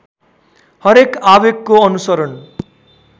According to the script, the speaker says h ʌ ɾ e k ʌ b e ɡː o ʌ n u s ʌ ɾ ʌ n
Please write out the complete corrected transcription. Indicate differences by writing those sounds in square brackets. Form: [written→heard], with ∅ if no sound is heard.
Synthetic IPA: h ʌ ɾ e k [ʌ→a] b e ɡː o ʌ n u s ʌ ɾ ʌ n